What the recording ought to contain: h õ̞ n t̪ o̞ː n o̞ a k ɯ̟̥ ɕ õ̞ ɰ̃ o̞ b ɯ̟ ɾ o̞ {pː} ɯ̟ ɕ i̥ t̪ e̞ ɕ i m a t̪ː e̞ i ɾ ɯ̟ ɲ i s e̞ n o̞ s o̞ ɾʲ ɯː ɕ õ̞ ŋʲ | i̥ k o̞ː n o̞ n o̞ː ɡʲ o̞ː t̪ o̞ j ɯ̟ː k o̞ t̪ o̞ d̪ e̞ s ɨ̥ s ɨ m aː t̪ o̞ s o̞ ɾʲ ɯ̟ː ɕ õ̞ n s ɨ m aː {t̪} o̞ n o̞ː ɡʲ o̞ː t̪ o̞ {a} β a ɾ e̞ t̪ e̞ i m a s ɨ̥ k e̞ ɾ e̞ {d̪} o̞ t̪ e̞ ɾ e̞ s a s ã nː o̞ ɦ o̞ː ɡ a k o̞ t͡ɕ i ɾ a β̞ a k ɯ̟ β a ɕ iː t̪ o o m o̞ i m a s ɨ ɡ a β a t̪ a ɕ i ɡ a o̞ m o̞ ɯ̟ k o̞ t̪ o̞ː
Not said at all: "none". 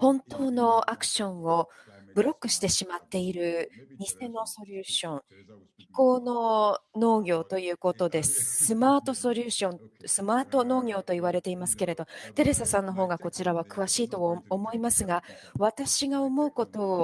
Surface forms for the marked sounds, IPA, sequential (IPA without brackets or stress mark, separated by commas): kː, t̪, i, d̪